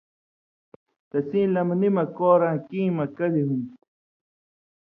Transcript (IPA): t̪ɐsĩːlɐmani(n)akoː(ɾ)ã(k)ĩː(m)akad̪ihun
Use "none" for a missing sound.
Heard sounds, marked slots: m, ɾ, k, m

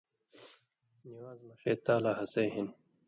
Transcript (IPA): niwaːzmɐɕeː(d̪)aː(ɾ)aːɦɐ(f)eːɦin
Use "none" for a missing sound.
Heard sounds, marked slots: t̪, l, s

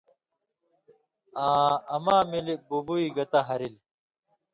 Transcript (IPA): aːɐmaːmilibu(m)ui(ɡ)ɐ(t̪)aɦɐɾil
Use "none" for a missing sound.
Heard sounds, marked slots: b, ɡ, t̪

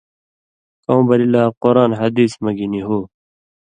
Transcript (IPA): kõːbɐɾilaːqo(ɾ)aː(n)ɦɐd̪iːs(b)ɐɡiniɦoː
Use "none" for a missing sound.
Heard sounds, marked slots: ɾ, n, m

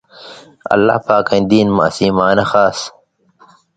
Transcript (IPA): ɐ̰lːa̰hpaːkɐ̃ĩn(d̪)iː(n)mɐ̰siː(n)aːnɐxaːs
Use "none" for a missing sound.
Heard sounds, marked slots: d̪, n, m

